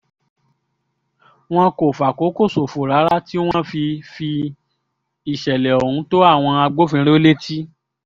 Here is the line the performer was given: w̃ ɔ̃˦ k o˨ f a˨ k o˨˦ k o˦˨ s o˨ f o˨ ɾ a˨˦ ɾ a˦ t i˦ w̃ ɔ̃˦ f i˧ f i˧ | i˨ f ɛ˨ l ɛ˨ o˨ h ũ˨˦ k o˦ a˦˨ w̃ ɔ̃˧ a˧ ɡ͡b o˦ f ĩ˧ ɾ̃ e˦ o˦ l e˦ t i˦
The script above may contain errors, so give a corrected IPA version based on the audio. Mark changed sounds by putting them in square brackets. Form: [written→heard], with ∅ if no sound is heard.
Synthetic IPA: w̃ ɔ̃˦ k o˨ f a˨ k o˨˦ k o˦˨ s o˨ f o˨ ɾ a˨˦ ɾ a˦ t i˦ w̃ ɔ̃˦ f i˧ f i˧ | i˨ [f→ʃ] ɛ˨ l ɛ˨ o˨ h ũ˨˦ [k→t] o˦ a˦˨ w̃ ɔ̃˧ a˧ ɡ͡b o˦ f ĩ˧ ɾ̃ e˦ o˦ l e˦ t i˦

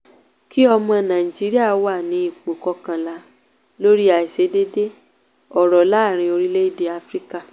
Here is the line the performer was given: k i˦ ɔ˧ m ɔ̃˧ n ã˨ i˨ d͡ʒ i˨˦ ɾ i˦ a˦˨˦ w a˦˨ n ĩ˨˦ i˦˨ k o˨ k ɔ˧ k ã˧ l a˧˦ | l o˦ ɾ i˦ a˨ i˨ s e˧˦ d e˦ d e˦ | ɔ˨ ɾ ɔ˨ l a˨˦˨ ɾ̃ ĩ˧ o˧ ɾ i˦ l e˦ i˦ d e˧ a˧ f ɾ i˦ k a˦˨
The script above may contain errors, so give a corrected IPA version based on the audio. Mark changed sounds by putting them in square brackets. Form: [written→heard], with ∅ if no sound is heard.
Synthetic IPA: k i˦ ɔ˧ m ɔ̃˧ n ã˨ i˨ d͡ʒ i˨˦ ɾ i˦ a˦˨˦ w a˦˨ n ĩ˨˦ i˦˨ [k→k͡p] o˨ k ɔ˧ k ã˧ l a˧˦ | l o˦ ɾ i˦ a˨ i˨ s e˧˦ d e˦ d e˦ | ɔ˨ ɾ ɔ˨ l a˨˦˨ ɾ̃ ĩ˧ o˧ ɾ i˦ l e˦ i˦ d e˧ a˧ f ɾ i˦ k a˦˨

